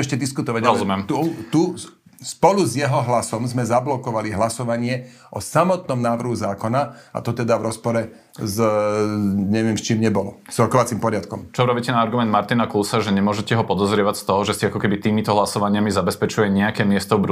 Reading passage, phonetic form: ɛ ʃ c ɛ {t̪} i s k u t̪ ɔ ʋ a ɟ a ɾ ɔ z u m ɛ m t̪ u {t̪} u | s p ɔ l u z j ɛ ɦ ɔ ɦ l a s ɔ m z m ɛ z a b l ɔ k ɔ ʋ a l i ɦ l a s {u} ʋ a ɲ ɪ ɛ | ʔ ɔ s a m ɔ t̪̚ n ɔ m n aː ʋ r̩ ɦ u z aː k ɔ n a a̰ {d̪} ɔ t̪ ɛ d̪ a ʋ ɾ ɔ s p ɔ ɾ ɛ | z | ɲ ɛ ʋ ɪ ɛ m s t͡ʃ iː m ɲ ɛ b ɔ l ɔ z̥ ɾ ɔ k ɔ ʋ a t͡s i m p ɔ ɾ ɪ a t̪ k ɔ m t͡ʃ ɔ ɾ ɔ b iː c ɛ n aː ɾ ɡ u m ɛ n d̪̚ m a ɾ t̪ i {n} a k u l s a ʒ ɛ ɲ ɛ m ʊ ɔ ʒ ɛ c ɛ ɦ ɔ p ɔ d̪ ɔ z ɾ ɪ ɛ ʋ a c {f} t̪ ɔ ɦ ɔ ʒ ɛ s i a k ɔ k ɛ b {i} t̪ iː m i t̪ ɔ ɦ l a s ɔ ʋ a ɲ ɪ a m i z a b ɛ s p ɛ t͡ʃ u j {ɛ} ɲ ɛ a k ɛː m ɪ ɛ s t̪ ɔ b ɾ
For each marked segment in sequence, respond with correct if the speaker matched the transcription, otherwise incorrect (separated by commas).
incorrect, correct, incorrect, incorrect, correct, incorrect, correct, correct